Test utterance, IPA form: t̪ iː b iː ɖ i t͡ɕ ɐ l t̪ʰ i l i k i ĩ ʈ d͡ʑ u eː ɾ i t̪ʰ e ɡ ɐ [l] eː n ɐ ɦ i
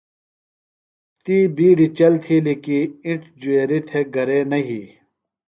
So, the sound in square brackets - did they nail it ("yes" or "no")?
no